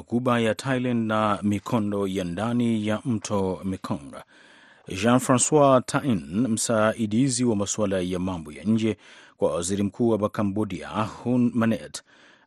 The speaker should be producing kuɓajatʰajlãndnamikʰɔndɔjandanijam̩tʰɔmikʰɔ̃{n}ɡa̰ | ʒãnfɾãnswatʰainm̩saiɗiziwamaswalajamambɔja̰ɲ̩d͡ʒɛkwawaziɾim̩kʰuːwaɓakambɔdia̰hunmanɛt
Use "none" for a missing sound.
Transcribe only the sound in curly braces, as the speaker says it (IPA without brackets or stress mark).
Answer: ŋ